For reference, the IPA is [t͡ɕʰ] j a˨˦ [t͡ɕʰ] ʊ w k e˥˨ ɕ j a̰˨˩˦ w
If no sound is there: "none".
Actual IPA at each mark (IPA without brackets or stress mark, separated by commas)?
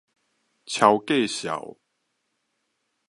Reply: t͡ɕʰ, none